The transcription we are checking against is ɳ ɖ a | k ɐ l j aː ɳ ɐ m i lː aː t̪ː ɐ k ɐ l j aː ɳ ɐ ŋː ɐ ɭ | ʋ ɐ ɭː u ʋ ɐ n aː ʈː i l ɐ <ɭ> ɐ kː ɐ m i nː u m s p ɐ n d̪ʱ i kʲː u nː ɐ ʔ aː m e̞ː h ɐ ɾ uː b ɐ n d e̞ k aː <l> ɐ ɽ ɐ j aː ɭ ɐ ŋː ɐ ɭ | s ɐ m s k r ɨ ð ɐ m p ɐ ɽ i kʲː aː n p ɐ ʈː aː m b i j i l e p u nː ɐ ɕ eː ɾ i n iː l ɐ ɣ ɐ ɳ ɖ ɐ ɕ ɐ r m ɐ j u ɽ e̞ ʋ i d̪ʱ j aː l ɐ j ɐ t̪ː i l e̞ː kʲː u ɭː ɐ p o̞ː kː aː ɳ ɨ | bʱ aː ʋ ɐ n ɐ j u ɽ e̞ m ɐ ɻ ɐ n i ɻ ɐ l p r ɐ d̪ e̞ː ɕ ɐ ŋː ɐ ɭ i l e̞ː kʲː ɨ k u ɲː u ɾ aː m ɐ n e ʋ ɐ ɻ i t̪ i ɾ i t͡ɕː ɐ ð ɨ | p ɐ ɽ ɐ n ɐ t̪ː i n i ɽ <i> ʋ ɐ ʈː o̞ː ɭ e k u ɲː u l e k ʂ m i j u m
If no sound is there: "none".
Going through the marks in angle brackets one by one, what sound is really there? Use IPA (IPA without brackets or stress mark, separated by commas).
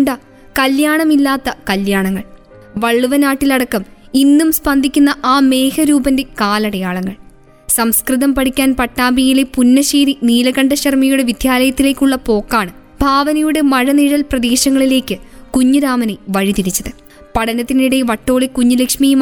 ɽ, l, e